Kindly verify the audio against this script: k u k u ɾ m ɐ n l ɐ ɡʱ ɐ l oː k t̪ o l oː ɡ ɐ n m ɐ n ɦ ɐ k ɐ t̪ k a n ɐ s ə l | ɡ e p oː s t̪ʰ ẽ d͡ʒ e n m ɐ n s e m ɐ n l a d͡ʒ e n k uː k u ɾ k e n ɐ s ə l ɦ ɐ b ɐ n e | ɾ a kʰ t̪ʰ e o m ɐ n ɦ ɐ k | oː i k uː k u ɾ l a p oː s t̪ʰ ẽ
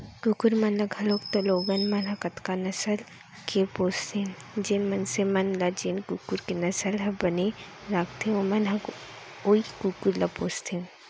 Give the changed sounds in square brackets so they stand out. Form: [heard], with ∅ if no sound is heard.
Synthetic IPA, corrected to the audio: k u k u ɾ m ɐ n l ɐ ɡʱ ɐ l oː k t̪ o l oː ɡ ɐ n m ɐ n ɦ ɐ k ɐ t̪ k a n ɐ s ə l | [k] e p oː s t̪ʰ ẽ d͡ʒ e n m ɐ n s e m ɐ n l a d͡ʒ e n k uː k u ɾ k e n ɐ s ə l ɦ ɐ b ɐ n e | ɾ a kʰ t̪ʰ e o m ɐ n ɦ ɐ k | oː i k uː k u ɾ l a p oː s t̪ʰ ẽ

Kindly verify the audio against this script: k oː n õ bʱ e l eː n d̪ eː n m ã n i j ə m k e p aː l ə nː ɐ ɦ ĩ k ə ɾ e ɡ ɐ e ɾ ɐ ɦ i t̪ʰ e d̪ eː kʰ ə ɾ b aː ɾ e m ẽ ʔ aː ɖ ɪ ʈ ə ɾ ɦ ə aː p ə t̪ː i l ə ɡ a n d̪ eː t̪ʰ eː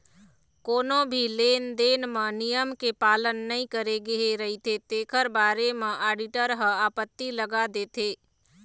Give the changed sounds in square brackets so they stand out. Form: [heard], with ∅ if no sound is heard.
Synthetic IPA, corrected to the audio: k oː n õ bʱ [i] l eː n d̪ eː n m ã n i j ə m k e p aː l ə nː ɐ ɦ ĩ k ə ɾ e ɡ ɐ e ɾ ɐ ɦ i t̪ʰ e [t̪] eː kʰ ə ɾ b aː ɾ e m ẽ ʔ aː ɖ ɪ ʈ ə ɾ ɦ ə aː p ə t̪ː i l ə ɡ a [∅] d̪ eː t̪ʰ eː

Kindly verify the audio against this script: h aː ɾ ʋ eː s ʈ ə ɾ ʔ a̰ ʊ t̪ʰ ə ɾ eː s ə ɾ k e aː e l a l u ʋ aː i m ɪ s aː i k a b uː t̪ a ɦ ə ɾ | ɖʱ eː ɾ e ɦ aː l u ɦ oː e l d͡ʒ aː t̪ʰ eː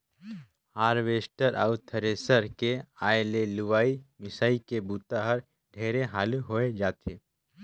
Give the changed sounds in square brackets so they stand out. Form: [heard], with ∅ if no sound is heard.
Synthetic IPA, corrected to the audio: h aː ɾ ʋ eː s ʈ ə ɾ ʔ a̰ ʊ t̪ʰ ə ɾ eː s ə ɾ k e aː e l [e] l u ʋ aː i m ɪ s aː i k [e] b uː t̪ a ɦ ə ɾ | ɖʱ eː ɾ e ɦ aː l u ɦ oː e [∅] d͡ʒ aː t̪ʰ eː

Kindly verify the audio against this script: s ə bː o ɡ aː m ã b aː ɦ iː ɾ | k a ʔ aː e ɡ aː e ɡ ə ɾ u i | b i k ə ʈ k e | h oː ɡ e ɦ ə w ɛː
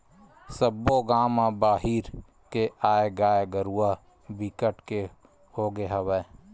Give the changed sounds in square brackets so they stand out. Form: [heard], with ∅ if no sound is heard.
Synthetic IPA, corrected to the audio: s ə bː o ɡ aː m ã b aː ɦ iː ɾ | k [e] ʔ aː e ɡ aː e ɡ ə ɾ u [a] | b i k ə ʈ k e | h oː ɡ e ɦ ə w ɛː

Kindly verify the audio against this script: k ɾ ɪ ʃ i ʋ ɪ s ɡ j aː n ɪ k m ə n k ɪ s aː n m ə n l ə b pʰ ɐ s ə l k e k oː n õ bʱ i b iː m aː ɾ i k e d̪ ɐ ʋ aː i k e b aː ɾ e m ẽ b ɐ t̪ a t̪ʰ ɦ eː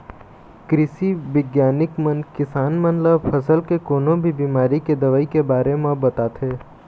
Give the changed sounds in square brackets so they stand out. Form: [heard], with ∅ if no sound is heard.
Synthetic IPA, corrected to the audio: k ɾ ɪ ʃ i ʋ ɪ [∅] ɡ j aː n ɪ k m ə n k ɪ s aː n m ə n l ə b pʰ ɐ s ə l k e k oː n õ bʱ i b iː m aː ɾ i k e d̪ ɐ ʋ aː i k e b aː ɾ e m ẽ b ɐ t̪ a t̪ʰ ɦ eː

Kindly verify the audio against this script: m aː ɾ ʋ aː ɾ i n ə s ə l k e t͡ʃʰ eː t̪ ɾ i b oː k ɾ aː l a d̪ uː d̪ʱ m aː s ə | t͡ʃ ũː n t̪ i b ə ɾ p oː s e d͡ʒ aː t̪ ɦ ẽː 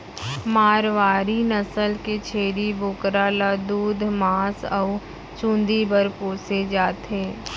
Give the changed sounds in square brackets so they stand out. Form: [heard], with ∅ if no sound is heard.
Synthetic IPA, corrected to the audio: m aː ɾ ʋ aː ɾ i n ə s ə l k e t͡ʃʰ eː [∅] ɾ i b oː k ɾ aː l a d̪ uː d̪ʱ m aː s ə | t͡ʃ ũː n [d̪] i b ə ɾ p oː s e d͡ʒ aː t̪ ɦ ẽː

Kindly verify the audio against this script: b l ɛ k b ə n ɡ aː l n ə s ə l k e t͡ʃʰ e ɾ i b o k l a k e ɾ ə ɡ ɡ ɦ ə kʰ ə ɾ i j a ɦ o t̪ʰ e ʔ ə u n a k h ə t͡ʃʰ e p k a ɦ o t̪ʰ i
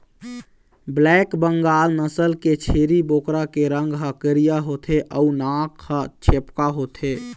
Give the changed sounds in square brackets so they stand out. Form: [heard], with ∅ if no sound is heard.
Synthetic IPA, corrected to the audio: b l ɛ k b ə [ŋ] ɡ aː l n ə s ə l k e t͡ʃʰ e ɾ i b o k [ɾ] a k e ɾ ə [ŋ] ɡ ɦ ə [k] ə ɾ i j a ɦ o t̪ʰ e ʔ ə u n a k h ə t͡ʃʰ e p k a ɦ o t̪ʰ [e]

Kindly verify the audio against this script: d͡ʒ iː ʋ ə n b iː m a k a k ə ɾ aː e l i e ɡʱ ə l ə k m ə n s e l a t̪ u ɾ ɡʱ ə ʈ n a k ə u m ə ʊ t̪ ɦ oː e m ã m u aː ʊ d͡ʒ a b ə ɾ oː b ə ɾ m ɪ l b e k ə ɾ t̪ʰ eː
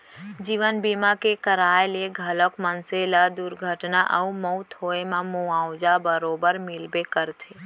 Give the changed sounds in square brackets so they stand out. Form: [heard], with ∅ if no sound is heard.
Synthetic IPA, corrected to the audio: d͡ʒ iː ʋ ə n b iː m a k [e] k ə ɾ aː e l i e ɡʱ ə l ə k m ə n s e l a [d̪] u ɾ ɡʱ ə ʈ n a [ʔ] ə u m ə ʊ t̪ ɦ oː e m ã m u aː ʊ d͡ʒ a b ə ɾ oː b ə ɾ m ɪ l b e k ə ɾ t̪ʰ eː

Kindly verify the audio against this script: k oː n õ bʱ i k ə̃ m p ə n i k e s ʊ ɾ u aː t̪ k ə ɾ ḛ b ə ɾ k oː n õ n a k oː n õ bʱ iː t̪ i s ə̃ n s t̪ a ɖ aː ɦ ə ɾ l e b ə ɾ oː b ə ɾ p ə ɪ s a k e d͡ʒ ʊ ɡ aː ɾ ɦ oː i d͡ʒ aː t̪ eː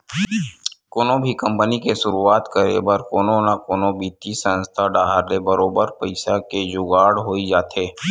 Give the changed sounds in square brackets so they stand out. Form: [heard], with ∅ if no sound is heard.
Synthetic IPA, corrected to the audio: k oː n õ bʱ i k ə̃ m p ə n i k e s ʊ ɾ u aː t̪ k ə ɾ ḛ b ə ɾ k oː n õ n a k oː n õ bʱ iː t̪ i s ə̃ n s [t̪ʰ] a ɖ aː ɦ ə ɾ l e b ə ɾ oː b ə ɾ p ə ɪ s a k e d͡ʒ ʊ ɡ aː [ɽ] ɦ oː i d͡ʒ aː t̪ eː

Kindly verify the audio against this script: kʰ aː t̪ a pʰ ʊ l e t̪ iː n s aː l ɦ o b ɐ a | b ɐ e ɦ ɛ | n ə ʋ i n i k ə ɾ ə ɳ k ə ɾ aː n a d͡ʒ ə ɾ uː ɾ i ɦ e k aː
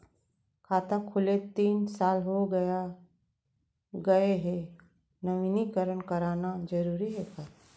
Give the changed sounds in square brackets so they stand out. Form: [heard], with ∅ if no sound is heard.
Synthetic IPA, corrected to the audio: kʰ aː t̪ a [kʰ] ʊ l e t̪ iː n s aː l ɦ o [ɡ] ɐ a | [ɡ] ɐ e ɦ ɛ | n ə ʋ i n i k ə ɾ ə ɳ k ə ɾ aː n a d͡ʒ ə ɾ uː ɾ i ɦ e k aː

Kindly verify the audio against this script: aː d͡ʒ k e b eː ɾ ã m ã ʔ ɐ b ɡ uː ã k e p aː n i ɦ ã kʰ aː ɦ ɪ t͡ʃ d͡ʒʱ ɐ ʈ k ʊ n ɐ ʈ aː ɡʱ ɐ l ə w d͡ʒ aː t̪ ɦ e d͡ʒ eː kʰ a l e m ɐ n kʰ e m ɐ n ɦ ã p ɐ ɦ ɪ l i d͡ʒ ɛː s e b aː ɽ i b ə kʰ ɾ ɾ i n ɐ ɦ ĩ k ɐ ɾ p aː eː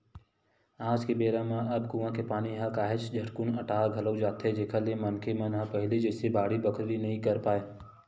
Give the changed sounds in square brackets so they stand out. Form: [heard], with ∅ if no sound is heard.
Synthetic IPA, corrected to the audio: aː d͡ʒ k e b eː ɾ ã m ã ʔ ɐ b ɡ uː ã k e p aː n i ɦ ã [k] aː ɦ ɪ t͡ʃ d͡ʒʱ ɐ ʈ k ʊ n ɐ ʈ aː ɡʱ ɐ l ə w d͡ʒ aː t̪ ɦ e d͡ʒ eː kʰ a l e m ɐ n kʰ e m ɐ n ɦ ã p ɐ ɦ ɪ l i d͡ʒ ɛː s e b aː ɽ i b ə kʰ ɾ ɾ i n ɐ ɦ ĩ k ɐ ɾ p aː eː

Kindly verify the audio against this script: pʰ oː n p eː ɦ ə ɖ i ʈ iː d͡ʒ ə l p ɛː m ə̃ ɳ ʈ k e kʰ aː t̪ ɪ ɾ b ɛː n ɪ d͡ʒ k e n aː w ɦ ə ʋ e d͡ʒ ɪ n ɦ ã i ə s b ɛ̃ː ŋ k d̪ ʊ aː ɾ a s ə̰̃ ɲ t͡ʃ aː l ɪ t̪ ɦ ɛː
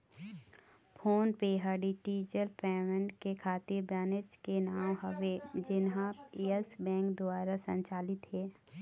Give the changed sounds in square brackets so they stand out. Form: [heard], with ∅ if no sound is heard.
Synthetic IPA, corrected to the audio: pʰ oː n p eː ɦ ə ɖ i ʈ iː d͡ʒ ə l p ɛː m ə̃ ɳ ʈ k e kʰ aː t̪ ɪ ɾ b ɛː n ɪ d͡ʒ k e n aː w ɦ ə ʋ e d͡ʒ ɪ n ɦ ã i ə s b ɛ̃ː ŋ k d̪ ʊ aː ɾ a s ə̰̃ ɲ t͡ʃ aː l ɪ t̪ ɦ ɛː

